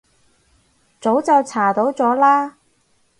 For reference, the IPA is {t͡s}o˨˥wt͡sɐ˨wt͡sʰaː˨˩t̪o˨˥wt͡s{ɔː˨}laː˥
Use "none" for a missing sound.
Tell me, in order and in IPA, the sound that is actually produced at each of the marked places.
t͡s, ɔː˨˥

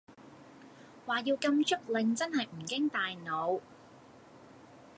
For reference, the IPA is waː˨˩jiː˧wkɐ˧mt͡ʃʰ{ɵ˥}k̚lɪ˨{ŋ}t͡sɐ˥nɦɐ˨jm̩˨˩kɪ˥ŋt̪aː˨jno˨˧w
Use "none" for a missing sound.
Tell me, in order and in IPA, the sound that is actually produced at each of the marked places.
ɵ˥, ŋ

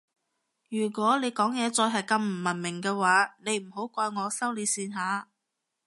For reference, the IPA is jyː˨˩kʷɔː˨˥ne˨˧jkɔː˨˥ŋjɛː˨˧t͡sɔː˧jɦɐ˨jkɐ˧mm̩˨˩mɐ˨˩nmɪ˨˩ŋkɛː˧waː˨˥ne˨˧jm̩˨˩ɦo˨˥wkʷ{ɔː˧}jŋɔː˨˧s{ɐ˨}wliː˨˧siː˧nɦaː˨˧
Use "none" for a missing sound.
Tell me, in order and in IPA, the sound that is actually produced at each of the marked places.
ɔː˧, ɐ˥

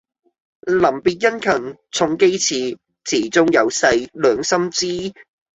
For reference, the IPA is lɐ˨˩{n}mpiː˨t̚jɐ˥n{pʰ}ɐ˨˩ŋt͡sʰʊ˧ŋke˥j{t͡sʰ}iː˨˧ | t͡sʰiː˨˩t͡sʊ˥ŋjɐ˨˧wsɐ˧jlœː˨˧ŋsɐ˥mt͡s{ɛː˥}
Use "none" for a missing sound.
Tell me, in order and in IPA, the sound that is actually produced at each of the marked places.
none, kʰ, t͡sʰ, iː˥

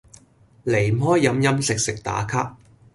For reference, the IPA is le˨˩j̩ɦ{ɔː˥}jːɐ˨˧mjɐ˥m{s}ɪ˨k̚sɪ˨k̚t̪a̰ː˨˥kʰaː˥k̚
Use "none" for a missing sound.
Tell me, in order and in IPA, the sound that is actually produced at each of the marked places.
ɔː˥, s

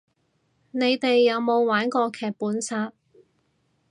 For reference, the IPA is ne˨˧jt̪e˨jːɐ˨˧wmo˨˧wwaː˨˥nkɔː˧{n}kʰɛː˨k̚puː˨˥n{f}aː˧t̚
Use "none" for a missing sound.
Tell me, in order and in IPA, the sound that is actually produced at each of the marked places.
none, s

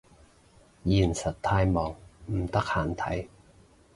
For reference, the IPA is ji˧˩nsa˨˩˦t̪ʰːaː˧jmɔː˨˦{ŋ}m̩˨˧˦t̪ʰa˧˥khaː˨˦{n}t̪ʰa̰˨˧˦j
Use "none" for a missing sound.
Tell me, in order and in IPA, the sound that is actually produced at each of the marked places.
ŋ, n

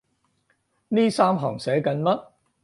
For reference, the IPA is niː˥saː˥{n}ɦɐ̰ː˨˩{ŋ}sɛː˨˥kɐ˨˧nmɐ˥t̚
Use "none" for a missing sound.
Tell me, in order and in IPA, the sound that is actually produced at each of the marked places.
m, ŋ

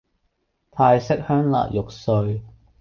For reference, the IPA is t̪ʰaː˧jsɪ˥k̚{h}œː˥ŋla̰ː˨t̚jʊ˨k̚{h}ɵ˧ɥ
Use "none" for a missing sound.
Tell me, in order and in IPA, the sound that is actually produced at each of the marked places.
h, s

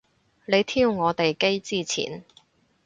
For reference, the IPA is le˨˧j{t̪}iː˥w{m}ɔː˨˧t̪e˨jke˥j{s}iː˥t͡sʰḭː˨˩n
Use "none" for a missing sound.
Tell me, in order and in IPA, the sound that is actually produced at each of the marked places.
t̪ʰ, ŋ, t͡s

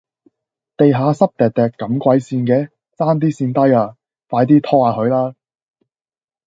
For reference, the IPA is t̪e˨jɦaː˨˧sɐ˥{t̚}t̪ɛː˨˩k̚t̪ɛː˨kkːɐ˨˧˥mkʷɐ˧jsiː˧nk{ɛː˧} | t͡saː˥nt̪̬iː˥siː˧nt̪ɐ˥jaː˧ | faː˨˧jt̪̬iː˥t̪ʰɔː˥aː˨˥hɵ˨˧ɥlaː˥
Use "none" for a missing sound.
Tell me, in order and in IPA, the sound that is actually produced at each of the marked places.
p̚, ɛː˧

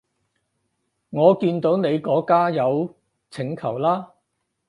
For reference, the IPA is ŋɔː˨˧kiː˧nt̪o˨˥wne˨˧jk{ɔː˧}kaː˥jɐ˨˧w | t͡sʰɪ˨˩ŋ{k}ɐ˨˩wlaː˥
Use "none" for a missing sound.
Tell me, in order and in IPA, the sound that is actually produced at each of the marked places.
ɔː˨˥, kʰ

